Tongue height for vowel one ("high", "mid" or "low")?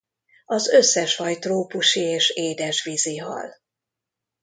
low